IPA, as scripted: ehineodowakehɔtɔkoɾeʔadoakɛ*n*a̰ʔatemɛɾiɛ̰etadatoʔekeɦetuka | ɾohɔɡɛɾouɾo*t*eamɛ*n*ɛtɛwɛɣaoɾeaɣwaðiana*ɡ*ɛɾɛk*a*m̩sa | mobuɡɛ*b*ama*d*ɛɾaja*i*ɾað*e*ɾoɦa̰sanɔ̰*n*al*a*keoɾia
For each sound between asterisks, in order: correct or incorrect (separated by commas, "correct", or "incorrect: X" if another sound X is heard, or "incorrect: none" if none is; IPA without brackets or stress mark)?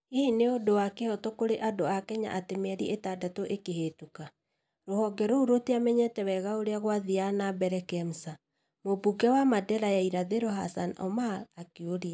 incorrect: ɲ, correct, incorrect: ɲ, incorrect: b, incorrect: ɛ, incorrect: w, correct, correct, correct, incorrect: m, correct